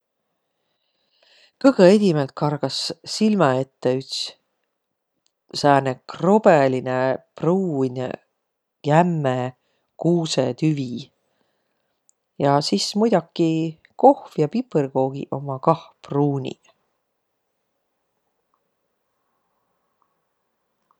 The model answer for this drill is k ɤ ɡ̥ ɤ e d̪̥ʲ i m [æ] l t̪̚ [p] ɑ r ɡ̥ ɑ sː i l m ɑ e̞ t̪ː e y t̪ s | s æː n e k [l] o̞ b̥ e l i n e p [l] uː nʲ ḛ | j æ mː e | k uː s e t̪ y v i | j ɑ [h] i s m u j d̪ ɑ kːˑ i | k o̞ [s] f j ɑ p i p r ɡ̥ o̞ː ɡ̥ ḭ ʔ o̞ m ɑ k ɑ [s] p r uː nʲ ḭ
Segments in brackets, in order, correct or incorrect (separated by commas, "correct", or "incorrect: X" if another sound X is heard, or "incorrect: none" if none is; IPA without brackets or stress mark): incorrect: e, incorrect: k, incorrect: r, incorrect: r, incorrect: s, incorrect: h, incorrect: h